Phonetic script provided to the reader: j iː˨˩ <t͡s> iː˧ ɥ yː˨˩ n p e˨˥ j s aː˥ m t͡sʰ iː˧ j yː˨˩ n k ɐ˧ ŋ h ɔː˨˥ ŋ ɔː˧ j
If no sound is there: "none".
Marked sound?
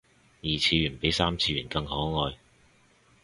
t͡sʰ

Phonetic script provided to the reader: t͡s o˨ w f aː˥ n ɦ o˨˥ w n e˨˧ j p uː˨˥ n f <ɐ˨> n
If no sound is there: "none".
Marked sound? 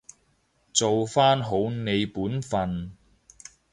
ɐ˨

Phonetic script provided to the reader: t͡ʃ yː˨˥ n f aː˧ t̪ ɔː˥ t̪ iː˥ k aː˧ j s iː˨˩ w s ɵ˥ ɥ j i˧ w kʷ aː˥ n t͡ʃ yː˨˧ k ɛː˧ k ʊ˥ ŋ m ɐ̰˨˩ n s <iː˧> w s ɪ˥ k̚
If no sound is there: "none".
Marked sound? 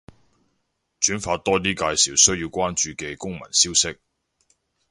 iː˥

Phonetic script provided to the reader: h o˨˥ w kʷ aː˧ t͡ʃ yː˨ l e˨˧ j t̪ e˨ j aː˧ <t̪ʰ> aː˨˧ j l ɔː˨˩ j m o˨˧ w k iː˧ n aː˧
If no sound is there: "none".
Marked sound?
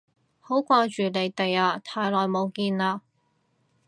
t̪ʰ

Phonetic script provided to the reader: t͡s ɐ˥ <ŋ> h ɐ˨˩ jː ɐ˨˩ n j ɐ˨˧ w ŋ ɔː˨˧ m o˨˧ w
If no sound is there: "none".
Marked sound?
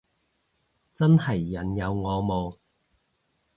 n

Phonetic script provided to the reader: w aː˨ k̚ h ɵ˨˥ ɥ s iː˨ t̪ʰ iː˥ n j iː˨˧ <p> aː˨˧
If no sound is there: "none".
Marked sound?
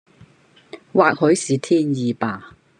p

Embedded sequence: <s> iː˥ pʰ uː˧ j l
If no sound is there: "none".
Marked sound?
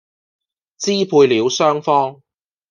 t͡s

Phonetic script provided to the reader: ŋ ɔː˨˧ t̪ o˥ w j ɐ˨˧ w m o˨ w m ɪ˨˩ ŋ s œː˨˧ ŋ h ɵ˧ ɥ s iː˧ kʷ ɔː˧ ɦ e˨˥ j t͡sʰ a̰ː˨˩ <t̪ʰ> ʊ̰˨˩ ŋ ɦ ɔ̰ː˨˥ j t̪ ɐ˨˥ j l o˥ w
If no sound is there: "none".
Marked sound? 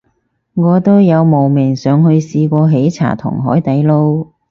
t̪ʰ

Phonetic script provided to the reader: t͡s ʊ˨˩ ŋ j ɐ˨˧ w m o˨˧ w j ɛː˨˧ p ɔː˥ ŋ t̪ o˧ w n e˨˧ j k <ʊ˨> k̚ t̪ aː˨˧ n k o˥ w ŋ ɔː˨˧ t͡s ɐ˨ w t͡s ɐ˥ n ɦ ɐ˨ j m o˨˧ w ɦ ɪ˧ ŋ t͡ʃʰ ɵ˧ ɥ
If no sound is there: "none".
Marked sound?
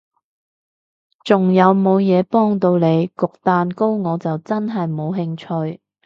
ʊ˨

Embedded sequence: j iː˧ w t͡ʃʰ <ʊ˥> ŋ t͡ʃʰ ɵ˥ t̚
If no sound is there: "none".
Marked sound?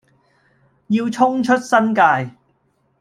ʊ˥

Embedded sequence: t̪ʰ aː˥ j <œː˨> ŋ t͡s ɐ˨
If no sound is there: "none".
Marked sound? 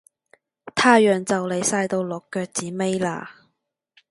œː˨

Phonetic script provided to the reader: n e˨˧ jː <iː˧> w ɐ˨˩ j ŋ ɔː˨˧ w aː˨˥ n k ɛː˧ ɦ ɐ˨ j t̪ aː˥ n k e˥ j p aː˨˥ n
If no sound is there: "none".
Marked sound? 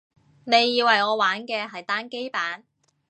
iː˧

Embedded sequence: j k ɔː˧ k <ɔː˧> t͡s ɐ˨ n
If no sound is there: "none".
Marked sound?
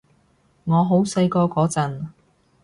ɔː˨˥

